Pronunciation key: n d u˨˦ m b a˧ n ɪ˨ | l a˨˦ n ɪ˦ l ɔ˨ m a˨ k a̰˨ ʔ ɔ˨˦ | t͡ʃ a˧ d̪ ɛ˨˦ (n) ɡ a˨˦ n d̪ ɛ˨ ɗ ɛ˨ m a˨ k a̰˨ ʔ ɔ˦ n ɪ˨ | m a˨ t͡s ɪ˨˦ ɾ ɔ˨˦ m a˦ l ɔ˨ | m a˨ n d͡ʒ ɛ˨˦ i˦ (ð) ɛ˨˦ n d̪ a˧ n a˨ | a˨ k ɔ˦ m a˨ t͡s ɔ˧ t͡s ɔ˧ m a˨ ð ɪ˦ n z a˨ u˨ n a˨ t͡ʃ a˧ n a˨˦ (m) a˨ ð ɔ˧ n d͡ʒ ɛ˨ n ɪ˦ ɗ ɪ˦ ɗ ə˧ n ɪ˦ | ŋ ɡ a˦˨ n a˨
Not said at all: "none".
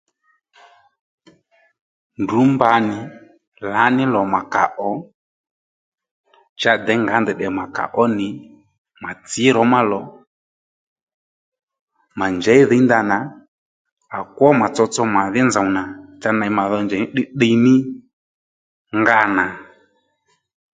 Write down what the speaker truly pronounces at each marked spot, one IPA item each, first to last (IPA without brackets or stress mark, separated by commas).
ŋ, ð, m